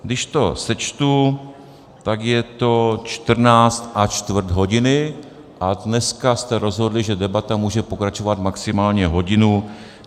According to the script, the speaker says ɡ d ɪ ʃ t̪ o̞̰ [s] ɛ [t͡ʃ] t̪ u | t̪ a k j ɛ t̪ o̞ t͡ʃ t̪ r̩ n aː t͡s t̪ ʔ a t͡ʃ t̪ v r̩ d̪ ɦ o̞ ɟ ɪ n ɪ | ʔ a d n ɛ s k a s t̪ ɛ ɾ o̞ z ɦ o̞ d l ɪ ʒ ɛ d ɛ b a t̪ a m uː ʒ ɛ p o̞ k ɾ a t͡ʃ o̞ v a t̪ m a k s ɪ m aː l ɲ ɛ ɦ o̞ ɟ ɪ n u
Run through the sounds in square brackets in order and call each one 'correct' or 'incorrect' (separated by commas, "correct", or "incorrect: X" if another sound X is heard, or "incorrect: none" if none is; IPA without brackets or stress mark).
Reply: correct, correct